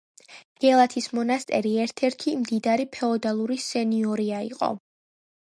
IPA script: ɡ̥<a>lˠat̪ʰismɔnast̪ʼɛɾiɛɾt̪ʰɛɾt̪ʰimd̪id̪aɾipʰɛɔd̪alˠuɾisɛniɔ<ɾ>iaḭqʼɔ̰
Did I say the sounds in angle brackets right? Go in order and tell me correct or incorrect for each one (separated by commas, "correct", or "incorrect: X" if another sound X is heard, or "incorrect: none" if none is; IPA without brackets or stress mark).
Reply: incorrect: ɛ, correct